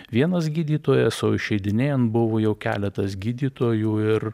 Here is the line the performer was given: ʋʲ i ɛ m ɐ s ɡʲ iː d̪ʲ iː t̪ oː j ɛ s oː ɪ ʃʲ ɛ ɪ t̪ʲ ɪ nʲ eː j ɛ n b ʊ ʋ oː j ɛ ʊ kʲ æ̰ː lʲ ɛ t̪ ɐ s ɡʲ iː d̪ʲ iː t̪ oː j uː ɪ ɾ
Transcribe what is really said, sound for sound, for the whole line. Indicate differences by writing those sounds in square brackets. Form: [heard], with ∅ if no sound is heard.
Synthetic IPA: ʋʲ i ɛ [n] ɐ s ɡʲ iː d̪ʲ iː t̪ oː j ɛ s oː ɪ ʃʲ ɛ ɪ [d̪ʲ] ɪ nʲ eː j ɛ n b ʊ ʋ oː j ɛ ʊ kʲ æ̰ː lʲ ɛ t̪ ɐ s ɡʲ iː d̪ʲ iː t̪ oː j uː ɪ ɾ